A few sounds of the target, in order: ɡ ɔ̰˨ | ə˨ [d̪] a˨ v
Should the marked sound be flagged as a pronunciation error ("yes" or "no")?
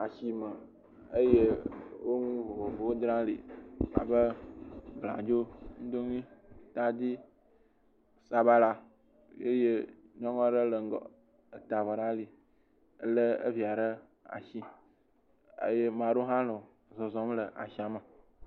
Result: yes